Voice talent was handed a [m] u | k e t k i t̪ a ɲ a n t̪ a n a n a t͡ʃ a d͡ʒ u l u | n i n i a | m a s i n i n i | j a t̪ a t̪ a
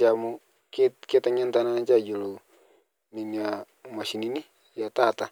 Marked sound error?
no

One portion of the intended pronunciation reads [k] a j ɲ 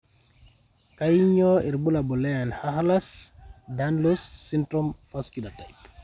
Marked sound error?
no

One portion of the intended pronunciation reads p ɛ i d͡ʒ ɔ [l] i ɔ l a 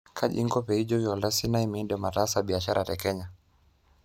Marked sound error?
yes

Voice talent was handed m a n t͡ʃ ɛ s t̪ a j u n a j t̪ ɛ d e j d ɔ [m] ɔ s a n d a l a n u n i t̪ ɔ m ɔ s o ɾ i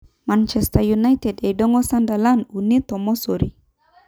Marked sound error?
yes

